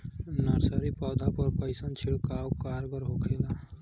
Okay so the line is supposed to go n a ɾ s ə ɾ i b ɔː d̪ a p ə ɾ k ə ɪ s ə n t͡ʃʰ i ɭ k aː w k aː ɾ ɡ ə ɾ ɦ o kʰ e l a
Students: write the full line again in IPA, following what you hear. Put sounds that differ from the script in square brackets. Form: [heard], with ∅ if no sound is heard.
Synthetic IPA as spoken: n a ɾ s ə ɾ i [p] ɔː d̪ a p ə ɾ k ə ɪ s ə n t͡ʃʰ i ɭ k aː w k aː ɾ ɡ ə ɾ ɦ o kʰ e l a